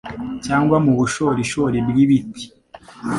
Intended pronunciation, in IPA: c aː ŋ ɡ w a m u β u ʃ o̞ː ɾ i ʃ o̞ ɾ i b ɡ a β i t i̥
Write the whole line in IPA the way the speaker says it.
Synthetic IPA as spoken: c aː ŋ ɡ w a m u β u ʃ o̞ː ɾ i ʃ o̞ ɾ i b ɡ i β i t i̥